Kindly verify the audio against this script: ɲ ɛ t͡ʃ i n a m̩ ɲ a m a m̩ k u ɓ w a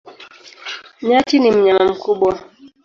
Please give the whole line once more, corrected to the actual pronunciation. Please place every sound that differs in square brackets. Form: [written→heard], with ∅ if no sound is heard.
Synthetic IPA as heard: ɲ [ɛ→a] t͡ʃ i n [a→i] m̩ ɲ a m a m̩ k u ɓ w a